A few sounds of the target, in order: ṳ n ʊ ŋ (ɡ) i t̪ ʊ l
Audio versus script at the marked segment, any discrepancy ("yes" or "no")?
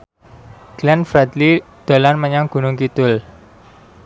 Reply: yes